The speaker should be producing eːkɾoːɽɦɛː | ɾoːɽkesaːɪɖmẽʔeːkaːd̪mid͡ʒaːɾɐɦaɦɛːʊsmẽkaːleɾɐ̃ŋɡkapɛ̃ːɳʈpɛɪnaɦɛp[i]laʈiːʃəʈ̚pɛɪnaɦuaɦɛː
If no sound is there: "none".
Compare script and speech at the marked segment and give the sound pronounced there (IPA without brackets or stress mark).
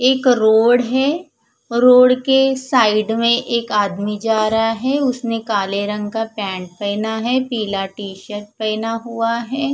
iː